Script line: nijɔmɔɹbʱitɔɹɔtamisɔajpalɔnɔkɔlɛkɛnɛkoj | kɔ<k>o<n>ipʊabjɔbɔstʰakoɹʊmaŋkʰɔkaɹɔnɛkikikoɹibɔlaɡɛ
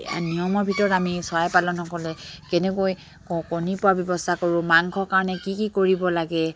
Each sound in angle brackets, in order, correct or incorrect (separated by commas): correct, correct